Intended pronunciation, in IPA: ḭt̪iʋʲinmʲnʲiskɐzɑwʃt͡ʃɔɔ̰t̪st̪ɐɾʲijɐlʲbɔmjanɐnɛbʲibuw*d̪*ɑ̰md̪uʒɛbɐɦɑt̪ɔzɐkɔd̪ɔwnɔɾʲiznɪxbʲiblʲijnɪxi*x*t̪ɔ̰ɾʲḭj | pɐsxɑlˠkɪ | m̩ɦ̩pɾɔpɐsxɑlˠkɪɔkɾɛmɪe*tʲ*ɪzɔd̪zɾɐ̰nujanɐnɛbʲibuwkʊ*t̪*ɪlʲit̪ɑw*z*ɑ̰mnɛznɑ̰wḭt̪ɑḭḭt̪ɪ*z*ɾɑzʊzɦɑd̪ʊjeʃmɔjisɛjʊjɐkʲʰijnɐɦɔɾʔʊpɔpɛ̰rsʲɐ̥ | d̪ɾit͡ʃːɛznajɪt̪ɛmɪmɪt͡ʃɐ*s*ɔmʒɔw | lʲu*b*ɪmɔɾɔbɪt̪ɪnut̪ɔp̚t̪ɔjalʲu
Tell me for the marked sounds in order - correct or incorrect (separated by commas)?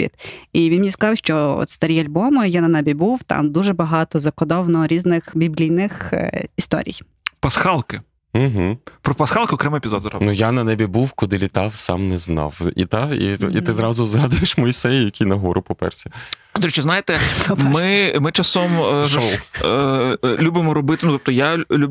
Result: incorrect, incorrect, incorrect, incorrect, incorrect, correct, correct, correct